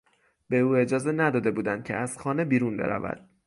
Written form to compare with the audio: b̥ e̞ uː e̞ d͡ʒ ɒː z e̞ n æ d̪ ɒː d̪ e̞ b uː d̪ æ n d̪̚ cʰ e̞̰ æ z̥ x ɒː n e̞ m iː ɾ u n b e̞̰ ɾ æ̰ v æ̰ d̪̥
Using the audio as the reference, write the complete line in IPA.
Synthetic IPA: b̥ e̞ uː e̞ d͡ʒ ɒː z e̞ n æ d̪ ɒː d̪ e̞ b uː d̪ æ n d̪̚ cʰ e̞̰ æ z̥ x ɒː n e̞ b iː ɾ u n b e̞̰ ɾ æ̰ v æ̰ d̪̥